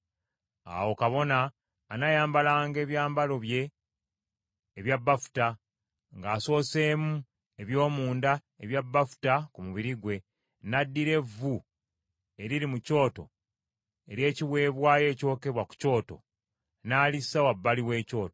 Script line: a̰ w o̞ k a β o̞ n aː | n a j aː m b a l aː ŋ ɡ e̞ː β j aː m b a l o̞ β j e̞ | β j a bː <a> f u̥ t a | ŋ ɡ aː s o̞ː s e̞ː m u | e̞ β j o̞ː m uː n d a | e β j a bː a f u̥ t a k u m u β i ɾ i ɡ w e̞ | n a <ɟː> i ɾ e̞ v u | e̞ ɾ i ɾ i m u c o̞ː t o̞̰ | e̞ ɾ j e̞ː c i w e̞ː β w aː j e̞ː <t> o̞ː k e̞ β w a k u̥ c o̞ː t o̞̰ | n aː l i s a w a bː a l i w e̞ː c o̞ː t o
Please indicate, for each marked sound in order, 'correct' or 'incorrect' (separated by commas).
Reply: correct, incorrect, incorrect